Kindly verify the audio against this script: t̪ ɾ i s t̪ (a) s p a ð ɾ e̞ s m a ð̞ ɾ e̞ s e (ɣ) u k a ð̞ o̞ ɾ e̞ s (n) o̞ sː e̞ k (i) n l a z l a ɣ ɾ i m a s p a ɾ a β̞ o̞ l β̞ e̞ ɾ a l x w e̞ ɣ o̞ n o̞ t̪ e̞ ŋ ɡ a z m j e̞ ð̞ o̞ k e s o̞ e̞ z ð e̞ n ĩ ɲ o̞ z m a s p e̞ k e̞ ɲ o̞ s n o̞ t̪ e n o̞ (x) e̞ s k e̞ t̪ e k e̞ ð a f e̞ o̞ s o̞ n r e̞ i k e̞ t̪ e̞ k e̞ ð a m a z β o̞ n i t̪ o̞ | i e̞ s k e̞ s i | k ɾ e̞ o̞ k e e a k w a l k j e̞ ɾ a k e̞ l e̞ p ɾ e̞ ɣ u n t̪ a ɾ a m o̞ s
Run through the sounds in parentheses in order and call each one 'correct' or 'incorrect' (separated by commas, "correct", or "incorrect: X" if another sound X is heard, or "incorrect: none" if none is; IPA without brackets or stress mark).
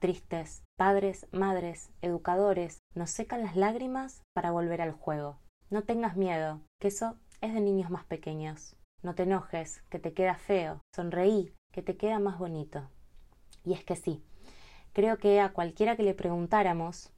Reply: incorrect: e, incorrect: ð, correct, incorrect: a, correct